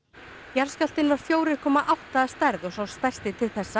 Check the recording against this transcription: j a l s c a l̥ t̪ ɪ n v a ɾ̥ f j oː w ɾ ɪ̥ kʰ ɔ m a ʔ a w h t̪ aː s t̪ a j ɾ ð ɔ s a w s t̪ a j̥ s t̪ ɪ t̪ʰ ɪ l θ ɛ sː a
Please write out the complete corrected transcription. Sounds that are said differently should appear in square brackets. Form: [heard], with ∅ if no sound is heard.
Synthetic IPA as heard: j a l s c a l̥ t̪ ɪ n v a ɾ̥ f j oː w ɾ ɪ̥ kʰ [ɔː] m a ʔ a w h t̪ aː s t̪ a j ɾ ð ɔ s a w s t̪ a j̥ s t̪ ɪ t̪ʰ ɪ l θ ɛ sː a